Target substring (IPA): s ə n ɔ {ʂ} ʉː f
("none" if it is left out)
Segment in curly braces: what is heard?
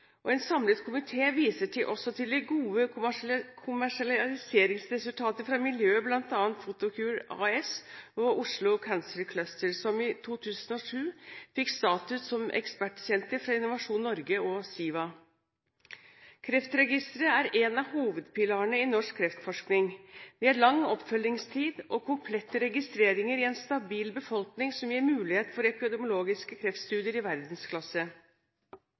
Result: ʂ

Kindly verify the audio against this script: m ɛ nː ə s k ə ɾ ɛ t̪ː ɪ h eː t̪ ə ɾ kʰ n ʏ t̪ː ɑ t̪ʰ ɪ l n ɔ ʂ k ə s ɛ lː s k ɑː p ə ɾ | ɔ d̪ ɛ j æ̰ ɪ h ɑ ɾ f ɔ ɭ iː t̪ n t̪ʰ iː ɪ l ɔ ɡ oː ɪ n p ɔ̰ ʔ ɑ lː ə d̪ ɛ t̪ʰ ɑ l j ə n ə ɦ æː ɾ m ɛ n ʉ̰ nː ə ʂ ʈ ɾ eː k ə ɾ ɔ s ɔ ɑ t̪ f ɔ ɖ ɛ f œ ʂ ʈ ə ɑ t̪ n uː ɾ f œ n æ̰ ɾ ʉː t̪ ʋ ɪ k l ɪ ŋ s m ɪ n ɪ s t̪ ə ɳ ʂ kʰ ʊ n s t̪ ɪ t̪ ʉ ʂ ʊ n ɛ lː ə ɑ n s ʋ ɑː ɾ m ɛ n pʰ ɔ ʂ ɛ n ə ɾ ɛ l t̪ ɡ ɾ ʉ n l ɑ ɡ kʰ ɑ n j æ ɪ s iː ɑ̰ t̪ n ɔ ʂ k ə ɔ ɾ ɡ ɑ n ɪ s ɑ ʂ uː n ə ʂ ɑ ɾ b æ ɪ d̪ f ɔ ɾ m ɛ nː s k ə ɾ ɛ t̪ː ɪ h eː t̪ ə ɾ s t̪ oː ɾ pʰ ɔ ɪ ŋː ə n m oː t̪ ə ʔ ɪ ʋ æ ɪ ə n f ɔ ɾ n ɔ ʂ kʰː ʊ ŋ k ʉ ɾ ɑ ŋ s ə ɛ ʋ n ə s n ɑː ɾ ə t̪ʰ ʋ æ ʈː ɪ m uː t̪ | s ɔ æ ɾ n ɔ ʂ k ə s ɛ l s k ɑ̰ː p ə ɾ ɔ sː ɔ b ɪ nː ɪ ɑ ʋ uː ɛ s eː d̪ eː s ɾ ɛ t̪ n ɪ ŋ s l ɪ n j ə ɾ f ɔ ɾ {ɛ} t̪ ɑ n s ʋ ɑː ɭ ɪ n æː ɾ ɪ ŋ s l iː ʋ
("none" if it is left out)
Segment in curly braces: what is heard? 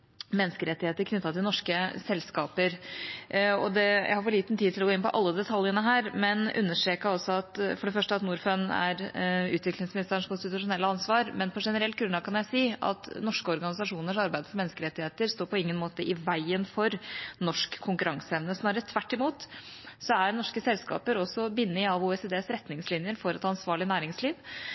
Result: ɛ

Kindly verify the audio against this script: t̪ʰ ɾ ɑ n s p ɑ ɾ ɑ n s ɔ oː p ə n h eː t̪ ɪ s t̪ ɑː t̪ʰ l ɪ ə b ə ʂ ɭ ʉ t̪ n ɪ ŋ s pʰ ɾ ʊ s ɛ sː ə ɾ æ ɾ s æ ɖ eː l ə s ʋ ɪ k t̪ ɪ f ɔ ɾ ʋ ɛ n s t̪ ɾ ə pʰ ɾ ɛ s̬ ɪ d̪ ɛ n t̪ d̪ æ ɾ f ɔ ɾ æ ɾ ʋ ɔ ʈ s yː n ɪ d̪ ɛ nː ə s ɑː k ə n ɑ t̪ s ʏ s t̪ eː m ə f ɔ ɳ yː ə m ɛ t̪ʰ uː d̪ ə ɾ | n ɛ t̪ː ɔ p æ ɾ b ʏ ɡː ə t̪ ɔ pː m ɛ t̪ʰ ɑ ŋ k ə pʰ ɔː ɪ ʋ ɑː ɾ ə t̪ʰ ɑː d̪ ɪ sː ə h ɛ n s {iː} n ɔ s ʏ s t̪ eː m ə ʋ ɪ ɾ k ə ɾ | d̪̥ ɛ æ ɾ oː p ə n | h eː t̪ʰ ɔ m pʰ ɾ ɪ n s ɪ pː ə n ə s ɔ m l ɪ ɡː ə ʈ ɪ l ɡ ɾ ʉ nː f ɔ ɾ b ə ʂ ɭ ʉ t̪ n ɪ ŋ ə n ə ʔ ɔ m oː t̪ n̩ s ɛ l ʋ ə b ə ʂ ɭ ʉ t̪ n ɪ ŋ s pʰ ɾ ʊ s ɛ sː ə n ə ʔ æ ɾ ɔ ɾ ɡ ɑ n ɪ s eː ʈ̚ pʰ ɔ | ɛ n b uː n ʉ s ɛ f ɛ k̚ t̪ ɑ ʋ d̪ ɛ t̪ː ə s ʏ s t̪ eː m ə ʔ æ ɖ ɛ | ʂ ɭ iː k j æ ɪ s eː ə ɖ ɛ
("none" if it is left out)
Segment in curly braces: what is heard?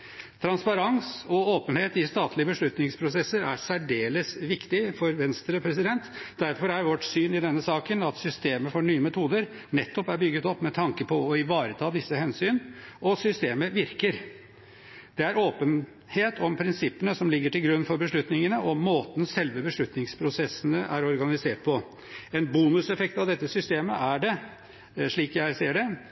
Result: yː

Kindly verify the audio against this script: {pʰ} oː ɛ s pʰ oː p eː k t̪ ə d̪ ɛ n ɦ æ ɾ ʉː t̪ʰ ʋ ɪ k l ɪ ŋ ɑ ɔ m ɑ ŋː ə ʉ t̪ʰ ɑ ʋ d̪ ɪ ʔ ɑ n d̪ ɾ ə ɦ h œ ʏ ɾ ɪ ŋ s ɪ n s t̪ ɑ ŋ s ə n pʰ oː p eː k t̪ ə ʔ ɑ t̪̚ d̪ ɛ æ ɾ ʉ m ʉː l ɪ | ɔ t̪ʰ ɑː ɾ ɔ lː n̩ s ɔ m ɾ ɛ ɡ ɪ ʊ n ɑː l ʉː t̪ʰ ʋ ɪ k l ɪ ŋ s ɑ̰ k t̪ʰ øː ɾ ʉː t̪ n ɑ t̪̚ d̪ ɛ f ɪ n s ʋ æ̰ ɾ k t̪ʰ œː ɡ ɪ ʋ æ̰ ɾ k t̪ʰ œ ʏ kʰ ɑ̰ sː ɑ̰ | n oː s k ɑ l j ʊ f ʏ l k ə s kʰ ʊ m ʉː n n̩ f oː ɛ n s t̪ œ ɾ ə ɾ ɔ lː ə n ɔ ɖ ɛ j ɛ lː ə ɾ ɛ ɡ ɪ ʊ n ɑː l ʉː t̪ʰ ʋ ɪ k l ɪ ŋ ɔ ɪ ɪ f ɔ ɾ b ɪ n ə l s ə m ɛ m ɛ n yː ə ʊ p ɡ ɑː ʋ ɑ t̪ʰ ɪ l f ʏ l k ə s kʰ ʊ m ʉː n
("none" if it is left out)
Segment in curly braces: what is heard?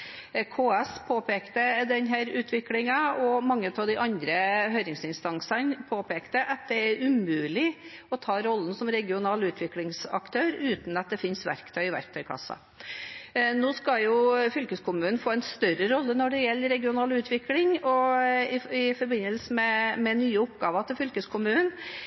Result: kʰ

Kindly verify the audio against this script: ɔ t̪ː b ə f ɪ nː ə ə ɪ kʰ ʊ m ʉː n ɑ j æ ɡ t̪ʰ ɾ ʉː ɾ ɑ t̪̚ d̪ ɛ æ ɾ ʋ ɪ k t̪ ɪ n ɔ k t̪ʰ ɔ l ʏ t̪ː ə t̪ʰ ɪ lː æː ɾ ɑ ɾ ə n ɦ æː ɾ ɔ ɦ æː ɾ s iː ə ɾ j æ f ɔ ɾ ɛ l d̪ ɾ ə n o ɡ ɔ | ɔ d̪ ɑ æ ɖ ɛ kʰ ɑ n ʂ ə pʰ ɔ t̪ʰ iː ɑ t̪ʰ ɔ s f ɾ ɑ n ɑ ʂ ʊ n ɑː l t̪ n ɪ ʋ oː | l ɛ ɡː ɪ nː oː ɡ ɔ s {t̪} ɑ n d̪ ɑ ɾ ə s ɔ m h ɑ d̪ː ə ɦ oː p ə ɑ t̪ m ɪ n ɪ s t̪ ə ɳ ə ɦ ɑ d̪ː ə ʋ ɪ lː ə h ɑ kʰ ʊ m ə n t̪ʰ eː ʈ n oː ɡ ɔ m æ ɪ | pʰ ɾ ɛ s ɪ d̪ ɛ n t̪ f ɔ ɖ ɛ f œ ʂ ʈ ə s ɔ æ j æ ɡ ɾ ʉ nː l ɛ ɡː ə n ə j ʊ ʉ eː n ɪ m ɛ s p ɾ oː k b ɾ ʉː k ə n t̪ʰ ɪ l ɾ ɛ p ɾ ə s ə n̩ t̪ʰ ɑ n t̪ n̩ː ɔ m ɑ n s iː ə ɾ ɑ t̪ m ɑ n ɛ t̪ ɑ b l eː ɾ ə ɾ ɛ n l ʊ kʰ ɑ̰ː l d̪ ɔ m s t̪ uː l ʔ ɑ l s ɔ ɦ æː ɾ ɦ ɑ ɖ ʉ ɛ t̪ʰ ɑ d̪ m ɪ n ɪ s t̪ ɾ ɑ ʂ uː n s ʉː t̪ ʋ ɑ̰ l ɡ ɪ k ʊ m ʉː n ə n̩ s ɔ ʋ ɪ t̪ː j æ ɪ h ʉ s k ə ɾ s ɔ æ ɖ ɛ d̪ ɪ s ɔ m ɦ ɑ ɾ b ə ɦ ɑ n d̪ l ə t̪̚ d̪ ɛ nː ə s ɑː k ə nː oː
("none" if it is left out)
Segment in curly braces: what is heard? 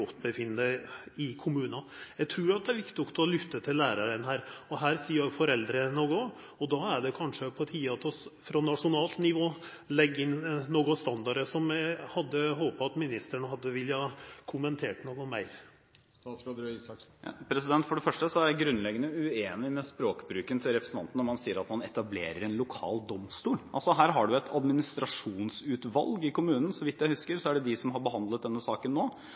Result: t̪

